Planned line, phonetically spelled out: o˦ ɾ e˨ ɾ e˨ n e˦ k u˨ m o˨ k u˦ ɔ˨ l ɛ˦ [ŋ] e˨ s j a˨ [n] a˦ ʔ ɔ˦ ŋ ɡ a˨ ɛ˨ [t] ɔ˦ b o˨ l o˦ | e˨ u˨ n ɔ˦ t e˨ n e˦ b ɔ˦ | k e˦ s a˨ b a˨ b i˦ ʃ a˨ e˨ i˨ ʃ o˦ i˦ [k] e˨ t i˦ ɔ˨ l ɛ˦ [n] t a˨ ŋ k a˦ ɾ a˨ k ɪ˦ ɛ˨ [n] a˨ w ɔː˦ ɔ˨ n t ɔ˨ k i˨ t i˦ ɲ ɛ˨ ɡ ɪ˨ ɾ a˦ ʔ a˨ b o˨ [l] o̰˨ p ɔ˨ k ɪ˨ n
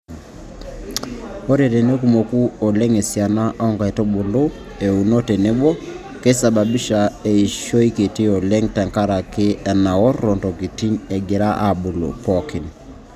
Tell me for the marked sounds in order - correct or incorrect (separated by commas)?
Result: correct, correct, correct, correct, incorrect, correct, correct